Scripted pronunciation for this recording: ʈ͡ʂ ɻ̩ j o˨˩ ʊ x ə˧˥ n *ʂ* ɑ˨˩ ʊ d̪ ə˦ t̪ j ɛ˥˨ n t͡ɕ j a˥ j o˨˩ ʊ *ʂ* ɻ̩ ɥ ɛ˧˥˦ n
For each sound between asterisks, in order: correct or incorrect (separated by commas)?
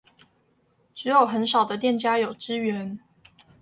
correct, incorrect